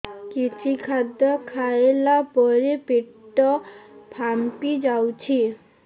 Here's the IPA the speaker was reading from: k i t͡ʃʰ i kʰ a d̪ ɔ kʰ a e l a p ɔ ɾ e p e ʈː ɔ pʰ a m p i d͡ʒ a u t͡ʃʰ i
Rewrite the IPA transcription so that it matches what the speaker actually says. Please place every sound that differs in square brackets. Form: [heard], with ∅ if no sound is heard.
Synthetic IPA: k i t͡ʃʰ i kʰ a d̪ ɔ kʰ a e l a p ɔ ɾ e p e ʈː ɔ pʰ a m p i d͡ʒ a [w] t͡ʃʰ i